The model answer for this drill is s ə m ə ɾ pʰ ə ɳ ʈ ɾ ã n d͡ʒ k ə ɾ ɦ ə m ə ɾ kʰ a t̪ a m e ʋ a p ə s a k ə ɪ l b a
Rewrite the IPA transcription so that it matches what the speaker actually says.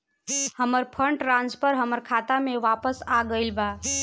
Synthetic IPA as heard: h ə m ə ɾ pʰ ə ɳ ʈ ɾ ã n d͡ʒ p ə ɾ ɦ ə m ə ɾ kʰ a t̪ a m e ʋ a p ə s a ɡ ə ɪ l b a